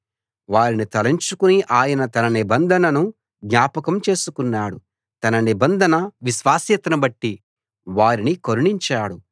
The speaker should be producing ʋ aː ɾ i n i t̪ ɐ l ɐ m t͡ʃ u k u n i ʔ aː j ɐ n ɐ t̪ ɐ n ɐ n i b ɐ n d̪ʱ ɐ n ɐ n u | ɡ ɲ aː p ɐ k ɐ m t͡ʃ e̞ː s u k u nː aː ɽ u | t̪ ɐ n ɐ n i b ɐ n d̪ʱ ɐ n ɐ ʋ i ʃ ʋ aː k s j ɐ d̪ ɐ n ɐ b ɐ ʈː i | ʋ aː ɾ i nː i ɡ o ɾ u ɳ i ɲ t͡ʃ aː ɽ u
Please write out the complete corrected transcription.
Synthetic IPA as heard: ʋ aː ɾ i n i t̪ ɐ l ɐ ɲ t͡ʃ u k u n i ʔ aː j ɐ n ɐ t̪ ɐ n ɐ n i b ɐ n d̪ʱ ɐ n ɐ n u | ɡ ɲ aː p ɐ k ɐ m t͡ʃ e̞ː s u k u nː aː ɽ u | t̪ ɐ n ɐ n i b ɐ n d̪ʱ ɐ n ɐ ʋ i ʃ ʋ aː s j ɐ t̪ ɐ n ɐ b ɐ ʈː i | ʋ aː ɾ i n i k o ɾ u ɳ i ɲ t͡ʃ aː ɽ u

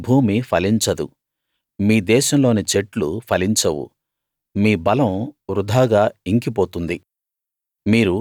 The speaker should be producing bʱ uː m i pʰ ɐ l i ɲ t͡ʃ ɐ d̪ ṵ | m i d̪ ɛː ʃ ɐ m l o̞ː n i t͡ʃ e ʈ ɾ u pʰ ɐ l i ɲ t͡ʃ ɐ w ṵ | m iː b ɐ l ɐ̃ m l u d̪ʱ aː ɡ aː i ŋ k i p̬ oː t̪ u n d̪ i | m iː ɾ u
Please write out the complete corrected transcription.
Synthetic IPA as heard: bʱ uː m i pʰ ɐ l i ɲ t͡ʃ ɐ d̪ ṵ | m iː d̪ ɛː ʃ ɐ m l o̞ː n i t͡ʃ e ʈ l u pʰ ɐ l i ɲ t͡ʃ ɐ w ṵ | m iː b ɐ l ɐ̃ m ɾ u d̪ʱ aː ɡ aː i ŋ k i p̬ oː t̪ u n d̪ i | m iː ɾ u

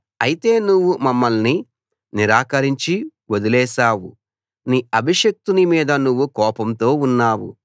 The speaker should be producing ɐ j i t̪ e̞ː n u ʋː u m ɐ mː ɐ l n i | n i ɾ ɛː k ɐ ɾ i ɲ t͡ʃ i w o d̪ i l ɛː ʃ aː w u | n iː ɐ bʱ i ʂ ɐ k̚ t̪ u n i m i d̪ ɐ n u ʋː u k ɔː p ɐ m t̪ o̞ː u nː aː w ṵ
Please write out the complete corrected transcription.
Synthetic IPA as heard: ɐ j i t̪ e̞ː n u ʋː u m ɐ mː ɐ l n i | n i ɾ aː k ɐ ɾ i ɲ t͡ʃ i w o d̪ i l ɛː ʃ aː w u | n iː ɐ bʱ i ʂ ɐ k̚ t̪ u n i m iː d̪ ɐ n u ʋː u k ɔː p ɐ m t̪ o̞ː u nː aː w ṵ

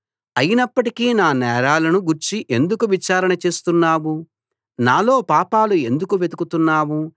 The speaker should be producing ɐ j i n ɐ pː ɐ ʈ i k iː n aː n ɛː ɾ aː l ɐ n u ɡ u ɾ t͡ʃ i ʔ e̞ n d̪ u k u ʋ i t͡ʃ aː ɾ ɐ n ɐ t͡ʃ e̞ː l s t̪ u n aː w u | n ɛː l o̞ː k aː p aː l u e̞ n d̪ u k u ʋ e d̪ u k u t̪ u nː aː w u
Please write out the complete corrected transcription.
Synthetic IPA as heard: ɐ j i n ɐ pː ɐ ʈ i k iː n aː n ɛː ɾ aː l ɐ n u ɡ u ɾ t͡ʃ i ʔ e̞ n d̪ u k u ʋ i t͡ʃ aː ɾ ɐ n ɐ t͡ʃ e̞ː s t̪ u nː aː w u | n aː l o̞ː p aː p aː l u e̞ n d̪ u k u ʋ e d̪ u k u t̪ u nː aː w u

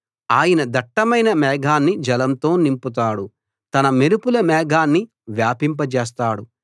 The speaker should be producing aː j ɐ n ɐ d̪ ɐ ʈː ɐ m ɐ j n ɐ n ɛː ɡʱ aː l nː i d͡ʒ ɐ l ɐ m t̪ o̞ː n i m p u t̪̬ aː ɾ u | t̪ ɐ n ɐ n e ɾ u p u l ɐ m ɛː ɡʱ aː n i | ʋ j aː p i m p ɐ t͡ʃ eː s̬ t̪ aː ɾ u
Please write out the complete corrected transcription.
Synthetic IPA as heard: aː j ɐ n ɐ d̪ ɐ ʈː ɐ m ɐ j n ɐ m ɛː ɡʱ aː nː i d͡ʒ ɐ l ɐ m t̪ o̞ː n i m p u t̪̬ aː ɽ u | t̪ ɐ n ɐ m e ɾ u p u l ɐ m ɛː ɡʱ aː nː i | ʋ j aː p i m p ɐ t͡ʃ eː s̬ t̪ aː ɽ u

